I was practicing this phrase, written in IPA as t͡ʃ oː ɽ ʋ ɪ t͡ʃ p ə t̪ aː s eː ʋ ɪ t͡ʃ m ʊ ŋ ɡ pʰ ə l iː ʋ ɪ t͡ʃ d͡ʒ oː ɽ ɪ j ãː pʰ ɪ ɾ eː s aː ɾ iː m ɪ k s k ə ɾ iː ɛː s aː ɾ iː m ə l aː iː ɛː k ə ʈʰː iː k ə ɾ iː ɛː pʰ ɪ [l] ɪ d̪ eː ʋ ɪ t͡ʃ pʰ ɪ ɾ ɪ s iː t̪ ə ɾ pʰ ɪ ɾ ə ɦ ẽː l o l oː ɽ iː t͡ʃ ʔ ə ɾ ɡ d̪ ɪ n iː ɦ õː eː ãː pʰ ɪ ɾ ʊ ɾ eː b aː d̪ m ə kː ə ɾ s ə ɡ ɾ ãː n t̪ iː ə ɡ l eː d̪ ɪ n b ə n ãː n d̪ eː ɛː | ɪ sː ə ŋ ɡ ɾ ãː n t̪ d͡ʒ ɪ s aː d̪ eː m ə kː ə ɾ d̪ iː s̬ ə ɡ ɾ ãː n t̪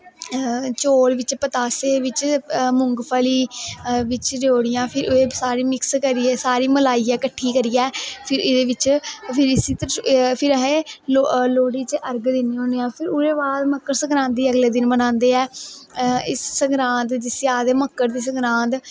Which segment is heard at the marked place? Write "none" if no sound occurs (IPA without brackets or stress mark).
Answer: ɾ